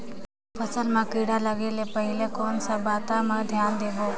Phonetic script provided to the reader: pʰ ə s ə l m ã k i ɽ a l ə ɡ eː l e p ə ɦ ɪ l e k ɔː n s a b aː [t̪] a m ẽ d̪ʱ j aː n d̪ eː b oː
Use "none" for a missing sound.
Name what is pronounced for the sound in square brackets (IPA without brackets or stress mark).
t̪